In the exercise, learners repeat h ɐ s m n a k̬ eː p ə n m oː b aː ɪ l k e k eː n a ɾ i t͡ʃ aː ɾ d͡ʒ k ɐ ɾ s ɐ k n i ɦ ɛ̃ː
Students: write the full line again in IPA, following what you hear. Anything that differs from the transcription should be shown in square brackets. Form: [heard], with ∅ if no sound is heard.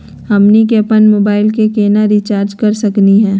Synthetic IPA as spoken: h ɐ [∅] m n [i] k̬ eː p ə n m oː b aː ɪ l k e k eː n a ɾ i t͡ʃ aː ɾ d͡ʒ k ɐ ɾ s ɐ k n i ɦ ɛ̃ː